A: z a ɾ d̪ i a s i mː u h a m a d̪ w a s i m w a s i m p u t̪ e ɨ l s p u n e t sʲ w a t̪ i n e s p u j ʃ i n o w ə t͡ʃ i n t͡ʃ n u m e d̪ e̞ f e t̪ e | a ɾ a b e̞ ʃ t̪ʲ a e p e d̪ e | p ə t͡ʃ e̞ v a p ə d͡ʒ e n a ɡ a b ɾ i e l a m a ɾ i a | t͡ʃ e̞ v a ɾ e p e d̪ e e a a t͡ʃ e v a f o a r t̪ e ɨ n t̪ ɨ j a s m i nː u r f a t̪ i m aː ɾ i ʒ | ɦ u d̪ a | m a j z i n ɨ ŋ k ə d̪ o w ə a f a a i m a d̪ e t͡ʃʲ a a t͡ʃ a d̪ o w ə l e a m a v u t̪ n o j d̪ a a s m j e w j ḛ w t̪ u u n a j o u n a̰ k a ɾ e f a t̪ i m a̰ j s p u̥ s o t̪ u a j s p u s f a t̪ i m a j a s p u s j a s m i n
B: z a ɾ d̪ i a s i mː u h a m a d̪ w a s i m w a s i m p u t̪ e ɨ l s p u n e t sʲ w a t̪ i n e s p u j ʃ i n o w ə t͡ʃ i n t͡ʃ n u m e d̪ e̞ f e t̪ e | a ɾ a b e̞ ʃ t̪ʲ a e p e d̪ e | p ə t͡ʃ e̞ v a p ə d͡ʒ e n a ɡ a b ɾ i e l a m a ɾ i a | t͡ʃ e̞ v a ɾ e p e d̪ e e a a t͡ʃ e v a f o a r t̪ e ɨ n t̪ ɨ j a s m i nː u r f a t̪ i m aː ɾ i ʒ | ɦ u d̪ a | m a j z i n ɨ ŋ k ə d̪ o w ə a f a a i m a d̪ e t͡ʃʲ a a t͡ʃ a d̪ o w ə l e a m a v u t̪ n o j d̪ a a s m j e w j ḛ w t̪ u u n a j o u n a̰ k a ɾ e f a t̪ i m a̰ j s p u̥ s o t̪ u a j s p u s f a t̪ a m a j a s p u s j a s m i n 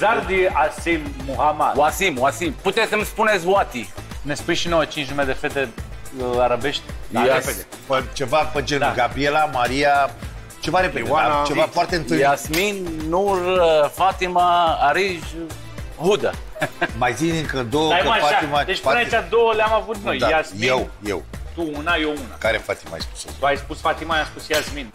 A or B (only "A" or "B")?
A